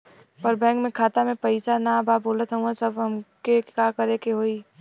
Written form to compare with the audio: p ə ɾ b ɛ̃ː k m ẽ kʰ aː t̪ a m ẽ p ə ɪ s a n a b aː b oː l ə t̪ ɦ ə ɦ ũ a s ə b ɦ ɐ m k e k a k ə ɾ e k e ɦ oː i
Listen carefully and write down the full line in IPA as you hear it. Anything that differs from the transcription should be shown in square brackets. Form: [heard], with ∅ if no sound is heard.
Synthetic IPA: p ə ɾ b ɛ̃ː k m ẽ kʰ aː t̪ a m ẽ p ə ɪ s a n a b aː b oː l ə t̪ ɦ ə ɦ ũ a s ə b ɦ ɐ m k e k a k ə ɾ e k e ɦ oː i